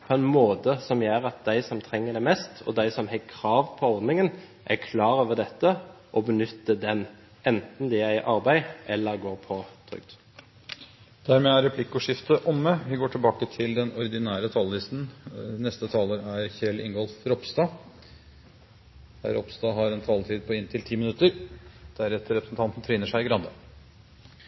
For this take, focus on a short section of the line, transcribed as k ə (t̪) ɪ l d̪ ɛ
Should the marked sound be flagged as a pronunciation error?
yes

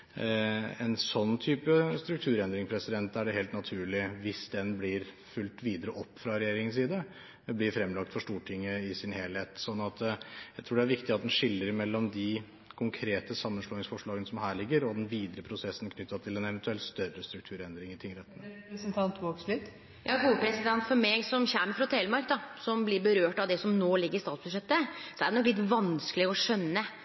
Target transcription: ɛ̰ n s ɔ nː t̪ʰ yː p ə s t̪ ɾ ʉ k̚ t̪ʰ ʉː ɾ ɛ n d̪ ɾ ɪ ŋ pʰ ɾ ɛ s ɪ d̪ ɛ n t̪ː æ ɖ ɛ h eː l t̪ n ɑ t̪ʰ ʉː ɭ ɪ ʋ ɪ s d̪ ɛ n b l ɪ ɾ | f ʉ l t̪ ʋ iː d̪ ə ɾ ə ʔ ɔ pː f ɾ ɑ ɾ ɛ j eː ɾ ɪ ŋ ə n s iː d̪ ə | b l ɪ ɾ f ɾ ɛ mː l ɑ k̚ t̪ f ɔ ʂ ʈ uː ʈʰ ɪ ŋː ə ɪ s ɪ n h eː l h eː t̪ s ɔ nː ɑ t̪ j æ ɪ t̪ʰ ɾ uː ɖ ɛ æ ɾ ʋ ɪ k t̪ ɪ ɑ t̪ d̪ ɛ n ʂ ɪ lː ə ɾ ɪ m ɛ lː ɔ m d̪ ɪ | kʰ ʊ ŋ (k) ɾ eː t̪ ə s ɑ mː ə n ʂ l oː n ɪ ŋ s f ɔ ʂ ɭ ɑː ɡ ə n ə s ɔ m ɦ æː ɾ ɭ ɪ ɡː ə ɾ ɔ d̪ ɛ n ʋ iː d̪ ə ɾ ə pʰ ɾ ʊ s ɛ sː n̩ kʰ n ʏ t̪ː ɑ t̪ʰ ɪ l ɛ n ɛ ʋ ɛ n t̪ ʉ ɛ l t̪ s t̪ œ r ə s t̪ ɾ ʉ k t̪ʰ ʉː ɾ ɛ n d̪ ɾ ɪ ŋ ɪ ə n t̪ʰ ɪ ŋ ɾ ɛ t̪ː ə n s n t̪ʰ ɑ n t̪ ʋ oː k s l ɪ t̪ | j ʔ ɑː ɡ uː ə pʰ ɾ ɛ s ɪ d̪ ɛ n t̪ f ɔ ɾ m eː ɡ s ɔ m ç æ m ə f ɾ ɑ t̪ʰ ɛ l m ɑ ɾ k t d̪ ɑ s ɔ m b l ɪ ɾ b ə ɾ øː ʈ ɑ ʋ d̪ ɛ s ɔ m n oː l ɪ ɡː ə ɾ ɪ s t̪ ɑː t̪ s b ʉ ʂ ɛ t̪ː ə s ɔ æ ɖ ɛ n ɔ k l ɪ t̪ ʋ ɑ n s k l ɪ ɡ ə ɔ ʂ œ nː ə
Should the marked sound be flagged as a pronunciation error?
yes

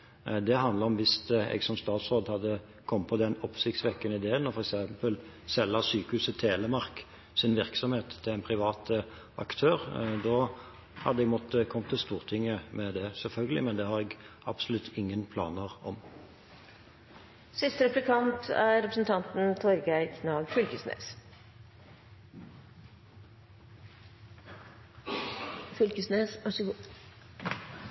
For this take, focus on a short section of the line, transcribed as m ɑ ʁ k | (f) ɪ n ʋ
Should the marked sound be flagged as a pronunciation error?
yes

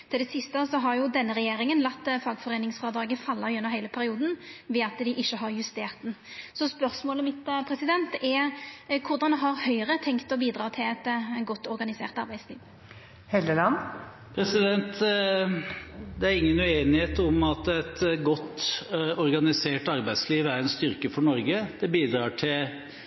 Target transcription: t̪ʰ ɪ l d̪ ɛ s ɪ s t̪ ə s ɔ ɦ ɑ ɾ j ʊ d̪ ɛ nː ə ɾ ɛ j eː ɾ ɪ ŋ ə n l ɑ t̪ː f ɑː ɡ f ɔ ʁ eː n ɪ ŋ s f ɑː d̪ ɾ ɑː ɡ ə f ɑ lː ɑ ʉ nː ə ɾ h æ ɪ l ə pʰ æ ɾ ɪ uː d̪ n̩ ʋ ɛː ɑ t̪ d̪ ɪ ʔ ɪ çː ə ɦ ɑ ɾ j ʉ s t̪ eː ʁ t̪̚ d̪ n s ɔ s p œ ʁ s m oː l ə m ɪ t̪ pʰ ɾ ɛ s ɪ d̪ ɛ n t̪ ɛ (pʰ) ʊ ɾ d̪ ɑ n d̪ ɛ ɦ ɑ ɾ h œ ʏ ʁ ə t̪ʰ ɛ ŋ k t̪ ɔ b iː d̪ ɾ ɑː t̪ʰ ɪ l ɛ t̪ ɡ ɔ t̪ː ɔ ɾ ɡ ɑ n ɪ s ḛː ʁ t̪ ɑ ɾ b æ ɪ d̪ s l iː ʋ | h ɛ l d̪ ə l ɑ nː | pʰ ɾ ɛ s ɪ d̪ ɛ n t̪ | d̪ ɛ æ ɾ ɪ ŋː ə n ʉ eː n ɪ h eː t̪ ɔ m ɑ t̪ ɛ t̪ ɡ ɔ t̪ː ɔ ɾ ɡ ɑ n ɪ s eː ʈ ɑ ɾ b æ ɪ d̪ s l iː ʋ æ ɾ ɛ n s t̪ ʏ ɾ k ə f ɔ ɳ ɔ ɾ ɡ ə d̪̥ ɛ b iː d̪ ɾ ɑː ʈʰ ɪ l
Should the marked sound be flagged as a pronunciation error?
yes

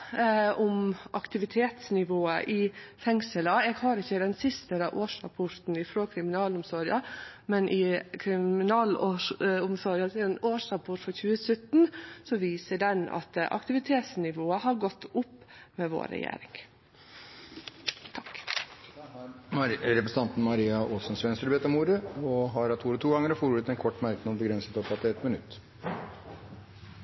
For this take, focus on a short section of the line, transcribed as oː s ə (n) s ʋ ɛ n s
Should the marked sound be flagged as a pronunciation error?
no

